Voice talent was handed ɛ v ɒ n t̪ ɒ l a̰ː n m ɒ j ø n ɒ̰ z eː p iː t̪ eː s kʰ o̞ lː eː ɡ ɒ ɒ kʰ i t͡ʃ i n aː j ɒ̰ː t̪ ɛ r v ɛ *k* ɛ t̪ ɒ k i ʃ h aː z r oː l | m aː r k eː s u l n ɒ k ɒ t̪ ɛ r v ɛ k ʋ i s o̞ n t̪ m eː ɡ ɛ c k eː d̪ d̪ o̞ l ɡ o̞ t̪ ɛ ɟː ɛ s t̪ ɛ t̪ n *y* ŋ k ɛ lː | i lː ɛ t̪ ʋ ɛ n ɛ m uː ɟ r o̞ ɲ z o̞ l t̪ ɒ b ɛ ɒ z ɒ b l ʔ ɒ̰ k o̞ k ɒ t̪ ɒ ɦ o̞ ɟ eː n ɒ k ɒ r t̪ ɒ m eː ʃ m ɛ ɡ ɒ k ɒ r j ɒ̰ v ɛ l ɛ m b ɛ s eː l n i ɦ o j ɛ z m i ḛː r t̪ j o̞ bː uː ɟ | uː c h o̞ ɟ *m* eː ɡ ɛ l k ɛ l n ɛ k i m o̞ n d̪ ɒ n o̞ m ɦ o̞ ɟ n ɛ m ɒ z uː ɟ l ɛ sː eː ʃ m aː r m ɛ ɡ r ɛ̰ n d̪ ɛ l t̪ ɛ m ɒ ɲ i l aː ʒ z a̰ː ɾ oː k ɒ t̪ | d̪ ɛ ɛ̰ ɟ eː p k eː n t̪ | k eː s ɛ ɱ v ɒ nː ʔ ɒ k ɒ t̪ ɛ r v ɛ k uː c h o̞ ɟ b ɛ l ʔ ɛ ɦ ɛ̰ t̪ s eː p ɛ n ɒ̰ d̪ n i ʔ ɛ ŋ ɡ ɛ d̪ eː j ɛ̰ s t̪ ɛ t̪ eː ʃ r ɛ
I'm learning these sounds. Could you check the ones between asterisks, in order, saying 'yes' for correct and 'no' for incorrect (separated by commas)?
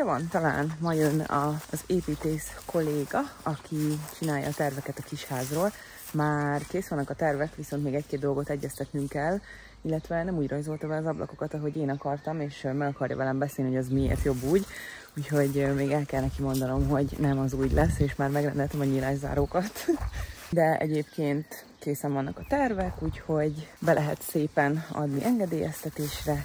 yes, yes, yes